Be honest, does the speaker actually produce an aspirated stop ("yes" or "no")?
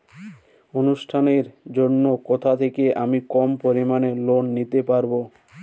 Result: yes